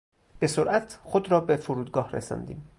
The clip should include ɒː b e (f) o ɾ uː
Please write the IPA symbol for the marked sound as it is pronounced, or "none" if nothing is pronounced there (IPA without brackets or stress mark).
f